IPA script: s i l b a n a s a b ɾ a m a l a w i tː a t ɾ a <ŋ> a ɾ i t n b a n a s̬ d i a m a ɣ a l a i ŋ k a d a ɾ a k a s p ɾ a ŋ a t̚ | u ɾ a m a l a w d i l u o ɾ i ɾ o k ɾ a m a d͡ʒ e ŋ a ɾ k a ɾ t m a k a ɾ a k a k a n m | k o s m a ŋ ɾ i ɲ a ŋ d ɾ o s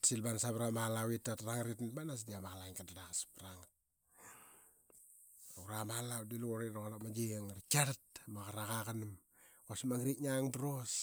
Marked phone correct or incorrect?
correct